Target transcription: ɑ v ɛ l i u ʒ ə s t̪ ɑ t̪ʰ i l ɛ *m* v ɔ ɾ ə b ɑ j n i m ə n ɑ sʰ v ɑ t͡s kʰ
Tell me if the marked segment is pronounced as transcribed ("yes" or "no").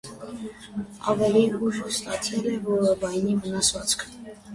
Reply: no